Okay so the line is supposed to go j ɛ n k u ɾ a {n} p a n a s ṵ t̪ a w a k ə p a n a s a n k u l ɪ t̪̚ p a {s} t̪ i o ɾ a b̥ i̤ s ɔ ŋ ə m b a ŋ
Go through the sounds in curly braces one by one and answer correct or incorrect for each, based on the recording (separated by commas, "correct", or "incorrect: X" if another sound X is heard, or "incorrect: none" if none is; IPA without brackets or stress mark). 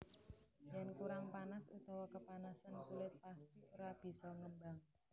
incorrect: ŋ, correct